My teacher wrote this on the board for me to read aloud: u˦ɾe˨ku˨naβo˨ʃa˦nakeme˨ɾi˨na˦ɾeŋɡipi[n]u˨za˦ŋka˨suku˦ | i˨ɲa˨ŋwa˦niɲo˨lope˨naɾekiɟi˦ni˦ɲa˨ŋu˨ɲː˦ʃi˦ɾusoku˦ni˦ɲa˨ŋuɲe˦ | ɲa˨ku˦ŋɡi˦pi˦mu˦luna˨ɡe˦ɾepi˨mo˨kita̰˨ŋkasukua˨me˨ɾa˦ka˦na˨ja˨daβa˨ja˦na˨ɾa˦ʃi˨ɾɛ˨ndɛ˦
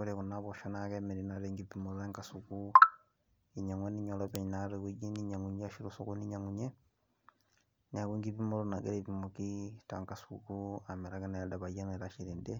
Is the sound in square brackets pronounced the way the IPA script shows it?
no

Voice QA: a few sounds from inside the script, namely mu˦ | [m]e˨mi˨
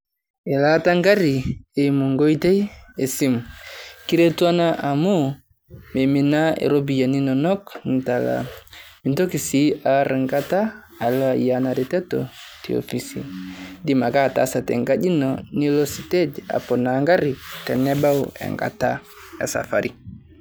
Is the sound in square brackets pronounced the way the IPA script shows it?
yes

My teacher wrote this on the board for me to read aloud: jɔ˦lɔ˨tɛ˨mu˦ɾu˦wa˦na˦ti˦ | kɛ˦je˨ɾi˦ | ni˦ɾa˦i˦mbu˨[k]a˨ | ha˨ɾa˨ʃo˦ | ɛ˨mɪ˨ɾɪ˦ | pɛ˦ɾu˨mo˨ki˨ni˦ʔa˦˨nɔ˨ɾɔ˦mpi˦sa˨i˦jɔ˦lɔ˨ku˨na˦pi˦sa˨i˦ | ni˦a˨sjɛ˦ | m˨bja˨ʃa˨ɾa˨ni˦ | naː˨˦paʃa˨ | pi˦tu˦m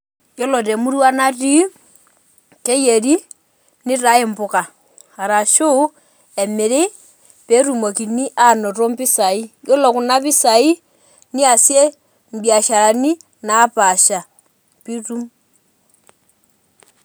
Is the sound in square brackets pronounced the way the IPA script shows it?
yes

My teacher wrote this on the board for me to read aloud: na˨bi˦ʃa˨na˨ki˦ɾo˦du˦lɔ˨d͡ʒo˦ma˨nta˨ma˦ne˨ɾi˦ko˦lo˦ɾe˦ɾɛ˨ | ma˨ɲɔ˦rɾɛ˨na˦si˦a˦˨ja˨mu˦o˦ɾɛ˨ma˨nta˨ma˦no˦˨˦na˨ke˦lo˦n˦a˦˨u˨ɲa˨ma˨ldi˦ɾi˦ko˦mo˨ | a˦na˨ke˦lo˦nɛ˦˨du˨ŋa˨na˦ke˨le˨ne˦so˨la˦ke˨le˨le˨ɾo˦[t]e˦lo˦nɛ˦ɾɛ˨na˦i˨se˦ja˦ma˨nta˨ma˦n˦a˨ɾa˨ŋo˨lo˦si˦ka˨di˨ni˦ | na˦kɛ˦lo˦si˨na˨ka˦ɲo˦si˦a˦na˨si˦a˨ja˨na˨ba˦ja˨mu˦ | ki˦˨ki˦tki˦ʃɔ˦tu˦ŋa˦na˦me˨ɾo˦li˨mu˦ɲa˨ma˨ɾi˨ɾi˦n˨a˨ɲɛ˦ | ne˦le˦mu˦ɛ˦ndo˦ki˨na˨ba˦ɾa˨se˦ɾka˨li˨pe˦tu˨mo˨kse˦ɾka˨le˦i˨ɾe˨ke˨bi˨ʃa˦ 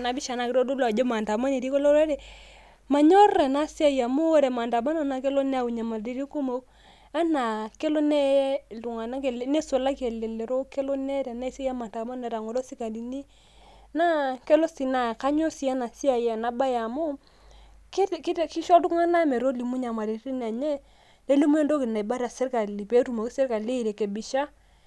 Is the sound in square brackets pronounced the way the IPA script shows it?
no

